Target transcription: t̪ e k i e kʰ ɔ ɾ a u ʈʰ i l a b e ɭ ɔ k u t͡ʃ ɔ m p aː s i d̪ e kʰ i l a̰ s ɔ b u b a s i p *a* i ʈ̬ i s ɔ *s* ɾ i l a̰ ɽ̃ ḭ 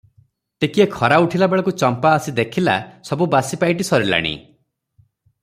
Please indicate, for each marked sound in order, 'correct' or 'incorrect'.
correct, incorrect: none

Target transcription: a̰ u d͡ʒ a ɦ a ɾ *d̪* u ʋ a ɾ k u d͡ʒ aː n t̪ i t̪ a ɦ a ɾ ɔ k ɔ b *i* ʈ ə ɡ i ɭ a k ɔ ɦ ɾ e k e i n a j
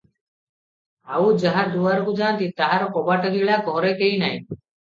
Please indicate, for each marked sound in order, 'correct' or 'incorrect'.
correct, incorrect: a

